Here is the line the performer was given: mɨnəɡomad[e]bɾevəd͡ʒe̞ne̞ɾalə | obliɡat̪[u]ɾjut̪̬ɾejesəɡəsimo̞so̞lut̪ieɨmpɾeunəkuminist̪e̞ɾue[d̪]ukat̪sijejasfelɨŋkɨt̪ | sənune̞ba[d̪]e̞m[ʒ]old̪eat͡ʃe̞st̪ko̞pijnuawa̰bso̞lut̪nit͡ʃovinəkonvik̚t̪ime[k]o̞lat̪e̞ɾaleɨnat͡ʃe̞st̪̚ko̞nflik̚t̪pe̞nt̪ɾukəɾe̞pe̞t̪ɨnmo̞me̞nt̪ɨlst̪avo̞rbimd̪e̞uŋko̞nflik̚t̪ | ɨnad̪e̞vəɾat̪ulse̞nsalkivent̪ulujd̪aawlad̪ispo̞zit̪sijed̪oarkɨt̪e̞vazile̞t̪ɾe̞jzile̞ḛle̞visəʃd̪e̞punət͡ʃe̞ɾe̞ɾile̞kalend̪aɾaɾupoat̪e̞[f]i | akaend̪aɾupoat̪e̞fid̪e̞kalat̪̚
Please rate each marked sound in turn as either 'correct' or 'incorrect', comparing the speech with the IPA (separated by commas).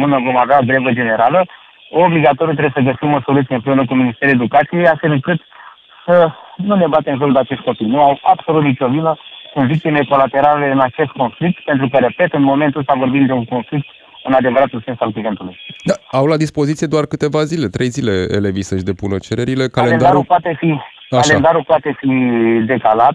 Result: incorrect, incorrect, correct, incorrect, correct, correct, correct